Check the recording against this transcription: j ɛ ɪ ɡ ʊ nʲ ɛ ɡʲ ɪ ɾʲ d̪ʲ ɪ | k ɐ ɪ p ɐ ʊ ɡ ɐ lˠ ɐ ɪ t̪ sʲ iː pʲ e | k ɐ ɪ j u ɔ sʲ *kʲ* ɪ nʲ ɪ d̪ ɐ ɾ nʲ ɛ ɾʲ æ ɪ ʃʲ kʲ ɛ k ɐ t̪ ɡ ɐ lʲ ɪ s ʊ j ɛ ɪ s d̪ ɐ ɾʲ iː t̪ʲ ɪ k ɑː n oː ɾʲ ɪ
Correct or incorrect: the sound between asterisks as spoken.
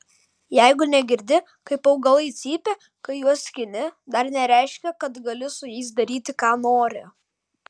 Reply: correct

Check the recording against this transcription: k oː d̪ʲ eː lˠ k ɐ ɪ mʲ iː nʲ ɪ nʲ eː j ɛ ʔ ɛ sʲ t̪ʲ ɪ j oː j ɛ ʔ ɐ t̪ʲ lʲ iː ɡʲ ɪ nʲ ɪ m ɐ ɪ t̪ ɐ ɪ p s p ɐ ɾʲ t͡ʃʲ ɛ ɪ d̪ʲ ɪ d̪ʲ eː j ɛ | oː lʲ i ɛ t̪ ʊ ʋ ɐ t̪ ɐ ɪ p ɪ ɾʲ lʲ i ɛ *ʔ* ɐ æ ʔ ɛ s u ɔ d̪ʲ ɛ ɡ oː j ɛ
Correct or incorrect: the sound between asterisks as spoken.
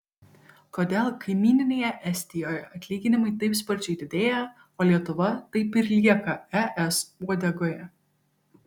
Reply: incorrect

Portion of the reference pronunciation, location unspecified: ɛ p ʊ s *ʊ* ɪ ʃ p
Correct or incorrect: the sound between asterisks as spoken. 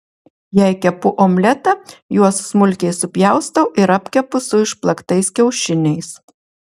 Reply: correct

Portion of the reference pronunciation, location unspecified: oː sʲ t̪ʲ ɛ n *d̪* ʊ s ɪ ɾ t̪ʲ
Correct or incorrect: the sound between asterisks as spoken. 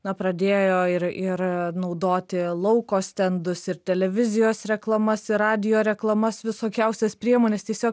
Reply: correct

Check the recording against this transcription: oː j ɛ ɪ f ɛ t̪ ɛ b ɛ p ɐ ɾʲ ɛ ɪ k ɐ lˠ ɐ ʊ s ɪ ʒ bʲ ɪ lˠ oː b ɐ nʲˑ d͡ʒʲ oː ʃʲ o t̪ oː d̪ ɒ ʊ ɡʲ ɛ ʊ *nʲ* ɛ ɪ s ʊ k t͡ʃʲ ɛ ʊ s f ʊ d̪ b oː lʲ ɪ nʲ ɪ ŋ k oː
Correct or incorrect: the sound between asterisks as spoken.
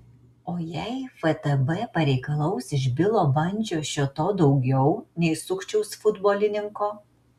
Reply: correct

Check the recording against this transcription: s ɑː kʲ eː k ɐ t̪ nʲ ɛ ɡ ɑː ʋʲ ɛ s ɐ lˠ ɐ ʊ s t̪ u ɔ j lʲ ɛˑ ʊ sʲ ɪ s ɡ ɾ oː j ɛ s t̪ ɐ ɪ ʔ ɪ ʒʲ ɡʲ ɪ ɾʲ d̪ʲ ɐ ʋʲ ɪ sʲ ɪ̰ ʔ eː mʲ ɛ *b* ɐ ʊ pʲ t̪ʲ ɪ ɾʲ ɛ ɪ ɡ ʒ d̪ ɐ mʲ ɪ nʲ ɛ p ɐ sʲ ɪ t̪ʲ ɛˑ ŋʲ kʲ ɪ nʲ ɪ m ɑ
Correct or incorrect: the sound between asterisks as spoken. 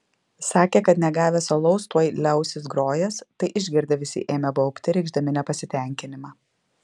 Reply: correct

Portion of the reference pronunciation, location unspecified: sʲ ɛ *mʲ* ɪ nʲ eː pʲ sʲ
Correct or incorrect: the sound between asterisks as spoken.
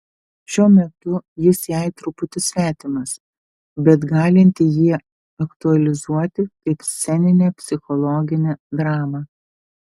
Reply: incorrect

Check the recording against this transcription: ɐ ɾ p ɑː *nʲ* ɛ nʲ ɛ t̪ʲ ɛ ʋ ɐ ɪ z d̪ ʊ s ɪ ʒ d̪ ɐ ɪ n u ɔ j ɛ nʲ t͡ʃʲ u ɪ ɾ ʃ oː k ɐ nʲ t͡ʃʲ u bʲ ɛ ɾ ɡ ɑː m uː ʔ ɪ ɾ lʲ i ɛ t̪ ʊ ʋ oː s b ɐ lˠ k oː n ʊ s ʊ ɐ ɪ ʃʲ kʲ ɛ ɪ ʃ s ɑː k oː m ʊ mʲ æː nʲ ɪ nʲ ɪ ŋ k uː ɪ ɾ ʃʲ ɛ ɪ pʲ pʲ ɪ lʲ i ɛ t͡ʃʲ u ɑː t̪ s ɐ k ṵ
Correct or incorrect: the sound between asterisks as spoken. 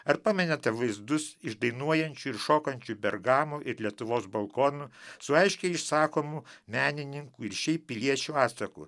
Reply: incorrect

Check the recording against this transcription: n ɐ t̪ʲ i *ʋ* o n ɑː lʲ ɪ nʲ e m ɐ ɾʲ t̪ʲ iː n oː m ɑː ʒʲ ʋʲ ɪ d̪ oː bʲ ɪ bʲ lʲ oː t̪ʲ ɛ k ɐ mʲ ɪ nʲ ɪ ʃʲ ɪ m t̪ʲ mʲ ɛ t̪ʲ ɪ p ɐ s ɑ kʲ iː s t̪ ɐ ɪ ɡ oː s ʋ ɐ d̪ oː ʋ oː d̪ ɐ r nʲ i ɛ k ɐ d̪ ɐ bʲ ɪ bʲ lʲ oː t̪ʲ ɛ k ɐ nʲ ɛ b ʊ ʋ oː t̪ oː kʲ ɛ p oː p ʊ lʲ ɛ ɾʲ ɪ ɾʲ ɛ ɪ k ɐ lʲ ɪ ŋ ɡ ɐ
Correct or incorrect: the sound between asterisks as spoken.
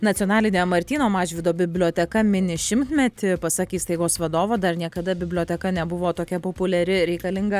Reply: incorrect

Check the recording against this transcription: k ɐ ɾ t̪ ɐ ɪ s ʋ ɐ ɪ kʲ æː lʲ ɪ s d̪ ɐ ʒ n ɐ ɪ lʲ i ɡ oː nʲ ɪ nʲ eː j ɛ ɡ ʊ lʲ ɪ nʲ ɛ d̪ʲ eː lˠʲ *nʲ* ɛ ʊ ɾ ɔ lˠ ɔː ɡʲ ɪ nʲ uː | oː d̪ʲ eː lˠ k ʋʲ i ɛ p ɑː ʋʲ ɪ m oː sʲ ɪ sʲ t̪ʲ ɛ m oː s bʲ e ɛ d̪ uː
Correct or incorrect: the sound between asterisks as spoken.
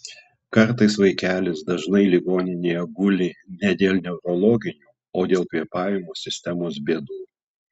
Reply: correct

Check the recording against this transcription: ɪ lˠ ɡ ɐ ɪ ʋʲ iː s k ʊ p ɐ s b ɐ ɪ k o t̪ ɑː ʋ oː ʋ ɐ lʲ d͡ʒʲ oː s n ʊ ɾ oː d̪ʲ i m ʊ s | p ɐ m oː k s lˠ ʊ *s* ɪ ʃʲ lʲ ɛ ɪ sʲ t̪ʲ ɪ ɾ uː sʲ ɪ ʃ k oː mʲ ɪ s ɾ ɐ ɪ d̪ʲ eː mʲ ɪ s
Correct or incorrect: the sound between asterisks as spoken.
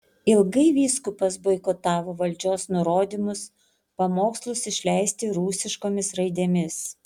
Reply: correct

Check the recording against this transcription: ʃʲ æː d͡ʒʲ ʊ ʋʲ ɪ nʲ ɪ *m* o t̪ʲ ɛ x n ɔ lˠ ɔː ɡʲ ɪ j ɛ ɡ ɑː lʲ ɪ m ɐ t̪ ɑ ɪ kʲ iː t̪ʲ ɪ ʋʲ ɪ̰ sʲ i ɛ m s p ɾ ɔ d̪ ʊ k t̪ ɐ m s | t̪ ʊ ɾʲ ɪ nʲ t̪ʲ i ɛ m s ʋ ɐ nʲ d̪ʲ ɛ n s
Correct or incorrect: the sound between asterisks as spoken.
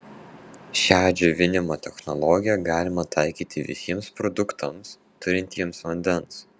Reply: correct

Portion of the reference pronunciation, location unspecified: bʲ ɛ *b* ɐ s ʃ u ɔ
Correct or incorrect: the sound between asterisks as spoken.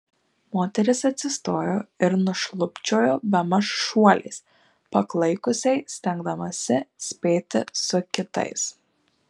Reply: incorrect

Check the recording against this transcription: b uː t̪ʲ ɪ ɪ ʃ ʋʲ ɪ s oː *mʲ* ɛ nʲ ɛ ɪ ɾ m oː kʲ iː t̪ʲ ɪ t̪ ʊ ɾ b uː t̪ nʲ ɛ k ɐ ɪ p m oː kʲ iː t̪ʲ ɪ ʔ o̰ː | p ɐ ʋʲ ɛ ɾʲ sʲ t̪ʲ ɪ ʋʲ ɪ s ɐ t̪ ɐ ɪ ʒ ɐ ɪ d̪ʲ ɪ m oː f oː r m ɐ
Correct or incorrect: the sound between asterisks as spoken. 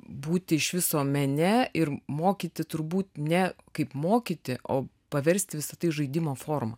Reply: correct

